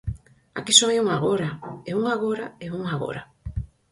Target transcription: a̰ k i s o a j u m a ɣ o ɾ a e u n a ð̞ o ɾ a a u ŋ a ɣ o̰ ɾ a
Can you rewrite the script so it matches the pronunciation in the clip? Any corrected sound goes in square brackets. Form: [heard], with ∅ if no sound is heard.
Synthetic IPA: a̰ k i s o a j u [ŋ] a ɣ o ɾ a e u [ŋ] a [ɣ̞] o ɾ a [e] u ŋ a ɣ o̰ ɾ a